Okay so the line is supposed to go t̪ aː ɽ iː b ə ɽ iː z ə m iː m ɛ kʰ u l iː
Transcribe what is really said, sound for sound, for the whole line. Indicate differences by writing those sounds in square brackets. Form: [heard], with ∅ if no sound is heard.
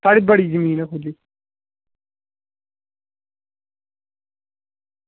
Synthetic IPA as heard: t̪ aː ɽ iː b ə ɽ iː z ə m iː [n] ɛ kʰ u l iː